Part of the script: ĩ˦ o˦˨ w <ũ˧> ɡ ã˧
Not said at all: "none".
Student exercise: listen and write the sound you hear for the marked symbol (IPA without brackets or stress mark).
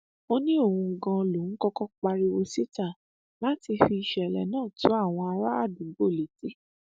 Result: ũ˧